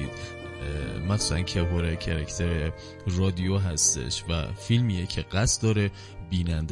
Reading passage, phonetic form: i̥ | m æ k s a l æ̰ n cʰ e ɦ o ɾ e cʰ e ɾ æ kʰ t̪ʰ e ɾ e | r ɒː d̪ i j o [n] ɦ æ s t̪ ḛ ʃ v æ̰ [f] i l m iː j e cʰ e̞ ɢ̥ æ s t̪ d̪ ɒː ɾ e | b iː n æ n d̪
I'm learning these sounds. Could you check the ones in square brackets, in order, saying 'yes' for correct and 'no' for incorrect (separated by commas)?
no, yes